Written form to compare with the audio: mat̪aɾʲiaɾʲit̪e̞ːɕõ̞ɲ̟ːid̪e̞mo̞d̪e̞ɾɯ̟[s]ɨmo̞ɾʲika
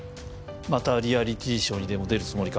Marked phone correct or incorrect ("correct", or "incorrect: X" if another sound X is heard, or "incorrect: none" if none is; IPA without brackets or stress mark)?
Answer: incorrect: t͡s